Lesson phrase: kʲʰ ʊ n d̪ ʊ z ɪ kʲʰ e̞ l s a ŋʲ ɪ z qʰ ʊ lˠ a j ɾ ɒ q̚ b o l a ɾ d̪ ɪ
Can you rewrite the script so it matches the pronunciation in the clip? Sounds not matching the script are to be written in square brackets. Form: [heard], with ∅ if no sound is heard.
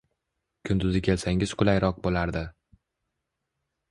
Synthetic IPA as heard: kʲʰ ʊ n d̪ ʊ z ɪ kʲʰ e̞ l s a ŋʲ ɪ z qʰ ʊ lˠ a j ɾ ɒ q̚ b o l a ɾ d̪ ɪ